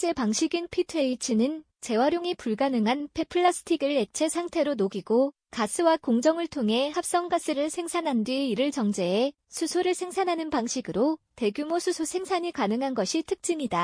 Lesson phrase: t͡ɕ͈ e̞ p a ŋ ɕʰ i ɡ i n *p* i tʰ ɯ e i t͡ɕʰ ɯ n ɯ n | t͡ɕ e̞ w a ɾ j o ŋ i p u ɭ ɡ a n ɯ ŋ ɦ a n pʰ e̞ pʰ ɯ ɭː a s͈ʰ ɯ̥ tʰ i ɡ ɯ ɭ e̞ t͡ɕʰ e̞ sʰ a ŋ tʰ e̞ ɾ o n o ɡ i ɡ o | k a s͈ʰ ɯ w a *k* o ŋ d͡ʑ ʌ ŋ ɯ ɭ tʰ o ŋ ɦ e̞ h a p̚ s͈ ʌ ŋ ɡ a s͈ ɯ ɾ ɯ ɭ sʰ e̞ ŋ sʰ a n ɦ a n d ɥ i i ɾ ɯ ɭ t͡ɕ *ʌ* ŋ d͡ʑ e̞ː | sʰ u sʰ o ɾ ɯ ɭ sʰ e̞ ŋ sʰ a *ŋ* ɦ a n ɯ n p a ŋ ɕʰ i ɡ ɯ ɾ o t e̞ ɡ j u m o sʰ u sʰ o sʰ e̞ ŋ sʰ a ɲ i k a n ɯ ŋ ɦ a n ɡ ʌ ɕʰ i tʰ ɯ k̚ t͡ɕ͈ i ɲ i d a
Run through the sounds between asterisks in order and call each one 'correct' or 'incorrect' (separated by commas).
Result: incorrect, correct, correct, incorrect